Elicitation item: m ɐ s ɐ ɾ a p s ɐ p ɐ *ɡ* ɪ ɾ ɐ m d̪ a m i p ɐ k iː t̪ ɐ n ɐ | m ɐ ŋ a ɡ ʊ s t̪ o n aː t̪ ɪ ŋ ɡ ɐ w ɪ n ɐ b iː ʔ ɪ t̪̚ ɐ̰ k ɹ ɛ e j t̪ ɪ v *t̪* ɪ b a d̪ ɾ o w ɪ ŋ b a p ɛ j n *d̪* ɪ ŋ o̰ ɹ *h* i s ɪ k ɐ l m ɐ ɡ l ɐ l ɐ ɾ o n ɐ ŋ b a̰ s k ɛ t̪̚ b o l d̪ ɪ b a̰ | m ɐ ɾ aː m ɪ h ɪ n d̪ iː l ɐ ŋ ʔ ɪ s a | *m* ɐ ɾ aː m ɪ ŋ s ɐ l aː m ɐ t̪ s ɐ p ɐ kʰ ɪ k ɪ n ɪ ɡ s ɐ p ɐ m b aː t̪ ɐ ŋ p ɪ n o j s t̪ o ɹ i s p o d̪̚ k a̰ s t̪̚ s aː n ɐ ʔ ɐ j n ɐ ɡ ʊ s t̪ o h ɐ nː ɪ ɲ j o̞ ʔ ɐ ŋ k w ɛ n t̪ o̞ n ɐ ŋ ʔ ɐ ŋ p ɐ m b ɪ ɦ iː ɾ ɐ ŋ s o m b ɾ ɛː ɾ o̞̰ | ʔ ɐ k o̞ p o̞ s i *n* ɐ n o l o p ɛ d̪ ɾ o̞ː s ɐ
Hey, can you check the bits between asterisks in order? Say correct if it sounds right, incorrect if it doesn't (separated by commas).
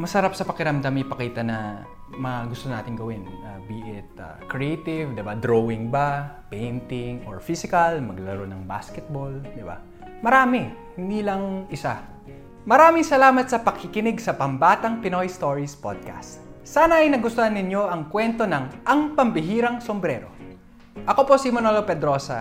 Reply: incorrect, incorrect, incorrect, incorrect, correct, incorrect